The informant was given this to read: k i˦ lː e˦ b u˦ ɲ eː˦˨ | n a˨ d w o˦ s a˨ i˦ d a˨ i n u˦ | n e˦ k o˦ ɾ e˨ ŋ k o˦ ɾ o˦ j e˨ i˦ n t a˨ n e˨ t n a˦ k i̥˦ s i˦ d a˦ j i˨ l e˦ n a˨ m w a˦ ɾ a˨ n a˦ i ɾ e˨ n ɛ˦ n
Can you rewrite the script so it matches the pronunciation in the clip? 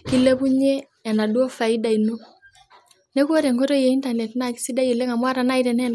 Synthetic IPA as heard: k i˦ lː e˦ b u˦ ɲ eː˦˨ | n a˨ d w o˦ f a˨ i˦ d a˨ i n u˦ | n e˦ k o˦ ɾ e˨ ŋ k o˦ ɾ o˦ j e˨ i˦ n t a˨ n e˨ t n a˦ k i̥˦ s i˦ d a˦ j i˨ l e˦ ŋ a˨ m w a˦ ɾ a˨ n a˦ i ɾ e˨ n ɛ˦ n